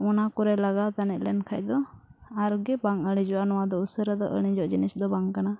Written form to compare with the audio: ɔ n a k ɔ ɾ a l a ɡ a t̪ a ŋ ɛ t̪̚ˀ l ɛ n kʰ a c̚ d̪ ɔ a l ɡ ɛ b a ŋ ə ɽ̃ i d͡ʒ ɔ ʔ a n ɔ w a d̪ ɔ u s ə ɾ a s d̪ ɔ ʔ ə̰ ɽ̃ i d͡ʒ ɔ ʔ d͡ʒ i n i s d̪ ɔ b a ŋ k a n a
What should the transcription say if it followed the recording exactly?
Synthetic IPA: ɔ n a k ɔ ɾ ɛ l a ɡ a t̪ a n ɛ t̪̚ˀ l ɛ n kʰ a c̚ d̪ ɔ a ɾ ɡ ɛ b a ŋ ə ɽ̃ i d͡ʒ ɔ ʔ a n ɔ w a d̪ ɔ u s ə ɾ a d̪ ɔ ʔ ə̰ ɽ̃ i d͡ʒ ɔ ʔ d͡ʒ i n i s d̪ ɔ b a ŋ k a n a